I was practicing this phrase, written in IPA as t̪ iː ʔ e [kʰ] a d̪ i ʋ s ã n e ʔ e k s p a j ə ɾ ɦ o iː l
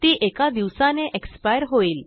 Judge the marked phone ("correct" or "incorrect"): incorrect